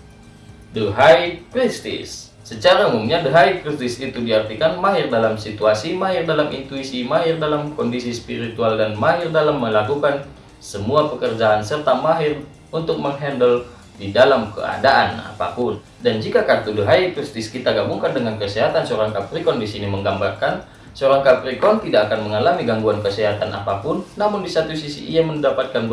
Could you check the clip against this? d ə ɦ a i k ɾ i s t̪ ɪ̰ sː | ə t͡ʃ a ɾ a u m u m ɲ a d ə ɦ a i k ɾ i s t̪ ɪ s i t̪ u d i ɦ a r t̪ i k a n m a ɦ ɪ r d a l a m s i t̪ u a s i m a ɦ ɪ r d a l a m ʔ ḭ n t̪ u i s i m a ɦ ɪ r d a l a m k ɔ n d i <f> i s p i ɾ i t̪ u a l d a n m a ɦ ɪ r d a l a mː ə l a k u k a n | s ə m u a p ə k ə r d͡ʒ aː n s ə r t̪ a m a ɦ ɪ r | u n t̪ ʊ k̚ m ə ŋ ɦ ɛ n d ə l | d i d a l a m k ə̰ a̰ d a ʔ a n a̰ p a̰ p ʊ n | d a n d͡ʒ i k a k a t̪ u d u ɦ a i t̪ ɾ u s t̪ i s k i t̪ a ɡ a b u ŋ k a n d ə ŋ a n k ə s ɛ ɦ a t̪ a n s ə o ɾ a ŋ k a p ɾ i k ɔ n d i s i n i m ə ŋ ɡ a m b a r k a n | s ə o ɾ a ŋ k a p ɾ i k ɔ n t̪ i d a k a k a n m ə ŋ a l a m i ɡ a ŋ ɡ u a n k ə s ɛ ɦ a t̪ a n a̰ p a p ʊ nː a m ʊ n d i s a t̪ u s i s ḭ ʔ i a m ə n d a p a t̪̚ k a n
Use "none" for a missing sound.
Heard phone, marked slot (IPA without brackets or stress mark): s